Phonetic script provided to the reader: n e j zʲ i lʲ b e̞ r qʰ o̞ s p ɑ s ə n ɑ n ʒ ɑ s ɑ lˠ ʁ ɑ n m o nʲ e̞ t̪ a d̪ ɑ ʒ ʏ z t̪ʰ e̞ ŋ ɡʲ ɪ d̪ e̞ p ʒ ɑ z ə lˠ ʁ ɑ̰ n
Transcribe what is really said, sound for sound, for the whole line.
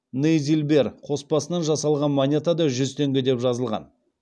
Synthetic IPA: n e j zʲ i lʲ b e̞ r qʰ o̞ s p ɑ s ə n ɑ n ʒ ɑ s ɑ lˠ ʁ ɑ n m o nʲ e̞ t̪ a d̪ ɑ ʒ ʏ z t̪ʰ e̞ ŋ ɡʲ ɪ d̪ e̞ p ʒ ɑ z ə lˠ ʁ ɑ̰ n

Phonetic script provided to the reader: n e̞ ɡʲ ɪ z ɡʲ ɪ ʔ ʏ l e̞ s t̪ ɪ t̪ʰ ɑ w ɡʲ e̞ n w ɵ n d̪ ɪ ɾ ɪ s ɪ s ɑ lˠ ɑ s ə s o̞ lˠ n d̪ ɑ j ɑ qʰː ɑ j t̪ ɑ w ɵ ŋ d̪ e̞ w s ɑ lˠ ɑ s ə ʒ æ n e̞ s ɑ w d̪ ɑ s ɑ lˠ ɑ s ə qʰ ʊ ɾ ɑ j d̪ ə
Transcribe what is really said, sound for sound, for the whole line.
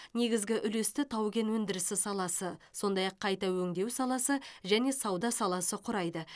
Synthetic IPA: n e̞ ɡʲ ɪ z ɡʲ ɪ ʔ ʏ l e̞ s t̪ ɪ t̪ʰ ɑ w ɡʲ e̞ n w ɵ n d̪ ɪ ɾ ɪ s ɪ s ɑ lˠ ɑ s ə s o̞ n d̪ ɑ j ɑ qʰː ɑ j t̪ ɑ w ɵ ŋ d̪ e̞ w s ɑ lˠ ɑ s ə ʒ æ n e̞ s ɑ w d̪ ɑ s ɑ lˠ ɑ s ə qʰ ʊ ɾ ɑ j d̪ ə

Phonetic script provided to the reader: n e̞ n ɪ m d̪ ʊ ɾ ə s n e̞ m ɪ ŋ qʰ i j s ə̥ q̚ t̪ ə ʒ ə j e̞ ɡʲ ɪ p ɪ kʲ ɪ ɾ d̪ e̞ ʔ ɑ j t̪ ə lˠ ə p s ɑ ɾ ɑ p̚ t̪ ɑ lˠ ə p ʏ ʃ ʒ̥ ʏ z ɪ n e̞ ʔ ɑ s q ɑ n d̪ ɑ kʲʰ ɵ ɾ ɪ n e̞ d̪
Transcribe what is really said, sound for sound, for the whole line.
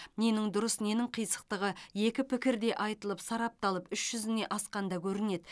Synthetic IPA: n e̞ n ɪ ŋ d̪ ʊ ɾ ə s n e̞ n ɪ ŋ qʰ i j s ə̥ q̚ t̪ ə ʁ ə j e̞ kʲ ɪ p ɪ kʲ ɪ ɾ d̪ e̞ ʔ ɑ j t̪ ə lˠ ə p s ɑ ɾ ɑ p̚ t̪ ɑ lˠ ə p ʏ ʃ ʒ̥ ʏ z ɪ n e̞ ʔ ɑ s q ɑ n d̪ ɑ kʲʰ ɵ ɾ ɪ n e̞ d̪

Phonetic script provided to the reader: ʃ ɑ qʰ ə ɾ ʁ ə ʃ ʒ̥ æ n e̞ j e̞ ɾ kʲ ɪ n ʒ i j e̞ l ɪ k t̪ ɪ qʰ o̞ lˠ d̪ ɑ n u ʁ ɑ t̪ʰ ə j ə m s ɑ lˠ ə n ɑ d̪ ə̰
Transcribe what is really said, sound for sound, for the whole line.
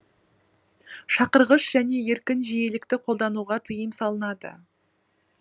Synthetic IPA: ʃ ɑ q ə ɾ ʁ ə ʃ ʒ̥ æ n e̞ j e̞ ɾ kʲ ɪ n ʒ i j e̞ l ɪ k t̪ ɪ qʰ o̞ lˠ d̪ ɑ n u ʁ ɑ t̪ʰ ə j ə m s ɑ lˠ ə n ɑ d̪ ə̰

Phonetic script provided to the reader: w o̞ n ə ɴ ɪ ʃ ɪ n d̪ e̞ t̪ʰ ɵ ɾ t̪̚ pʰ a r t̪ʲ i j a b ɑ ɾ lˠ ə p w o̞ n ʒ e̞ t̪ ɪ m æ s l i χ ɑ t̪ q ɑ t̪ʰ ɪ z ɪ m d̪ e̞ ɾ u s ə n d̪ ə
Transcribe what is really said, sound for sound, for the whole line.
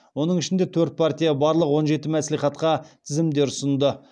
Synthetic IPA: w o̞ n ə ɴ ɪ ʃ ɪ n d̪ e̞ t̪ʰ ɵ ɾ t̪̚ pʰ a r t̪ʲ i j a b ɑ ɾ lˠ ə q w o̞ n ʒ e̞ t̪ ɪ m æ s l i χ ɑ t̪ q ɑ t̪ʰ ɪ z ɪ m d̪ e̞ ɾ ʊ s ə n d̪ ə

